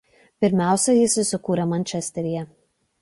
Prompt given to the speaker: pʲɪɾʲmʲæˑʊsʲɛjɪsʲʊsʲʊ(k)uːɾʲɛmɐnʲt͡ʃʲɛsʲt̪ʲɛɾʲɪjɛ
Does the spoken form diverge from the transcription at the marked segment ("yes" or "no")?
no